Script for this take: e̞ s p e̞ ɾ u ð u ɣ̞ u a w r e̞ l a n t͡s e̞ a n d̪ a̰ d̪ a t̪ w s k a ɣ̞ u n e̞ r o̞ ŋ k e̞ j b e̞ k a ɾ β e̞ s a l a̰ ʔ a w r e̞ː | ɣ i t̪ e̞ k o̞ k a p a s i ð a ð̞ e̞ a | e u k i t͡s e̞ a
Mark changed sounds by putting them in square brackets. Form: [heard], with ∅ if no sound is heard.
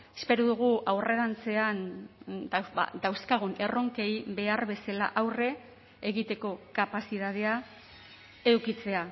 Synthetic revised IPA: e̞ s p e̞ ɾ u ð u ɣ̞ u a w r e̞ [ɾ] a n t͡s e̞ a n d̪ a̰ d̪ a [∅] w s k a ɣ̞ u n e̞ r o̞ ŋ k e̞ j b e̞ [∅] a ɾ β e̞ s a l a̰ ʔ a w r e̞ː | ɣ i t̪ e̞ k o̞ k a p a s i ð a ð̞ e̞ a | e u k i t͡s e̞ a